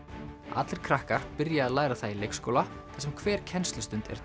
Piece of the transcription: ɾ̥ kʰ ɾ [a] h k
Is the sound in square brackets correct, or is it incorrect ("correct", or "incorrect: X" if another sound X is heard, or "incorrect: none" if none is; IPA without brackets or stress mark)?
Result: correct